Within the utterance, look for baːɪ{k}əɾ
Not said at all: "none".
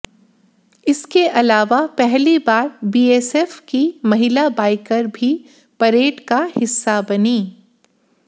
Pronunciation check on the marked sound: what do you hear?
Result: k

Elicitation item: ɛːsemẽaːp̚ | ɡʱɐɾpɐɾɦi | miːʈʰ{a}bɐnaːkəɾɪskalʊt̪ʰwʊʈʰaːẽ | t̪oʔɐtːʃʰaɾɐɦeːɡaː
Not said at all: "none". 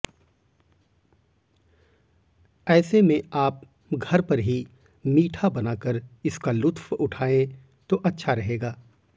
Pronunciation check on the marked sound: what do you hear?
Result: a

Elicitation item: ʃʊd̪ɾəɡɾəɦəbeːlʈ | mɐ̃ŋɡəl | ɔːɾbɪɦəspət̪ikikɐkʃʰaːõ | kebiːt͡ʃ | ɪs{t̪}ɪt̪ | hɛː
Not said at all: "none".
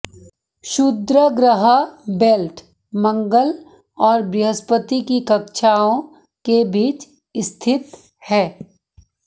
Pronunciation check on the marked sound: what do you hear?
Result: t̪ʰ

